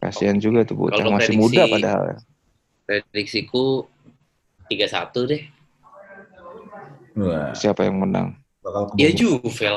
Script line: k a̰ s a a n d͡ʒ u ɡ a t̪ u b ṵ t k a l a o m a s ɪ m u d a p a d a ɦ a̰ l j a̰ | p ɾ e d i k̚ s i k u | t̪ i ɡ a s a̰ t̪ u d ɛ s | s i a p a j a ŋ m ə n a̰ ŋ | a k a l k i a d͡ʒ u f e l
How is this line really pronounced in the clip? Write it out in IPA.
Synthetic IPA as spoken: k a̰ s i a n d͡ʒ u ɡ a t̪ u b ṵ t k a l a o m a s ɪ m u d a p a d a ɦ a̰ l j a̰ | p ɾ e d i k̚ s i k u | t̪ i ɡ a s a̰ t̪ u d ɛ h | s i a p a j a ŋ m ə n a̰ ŋ | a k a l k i a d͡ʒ u f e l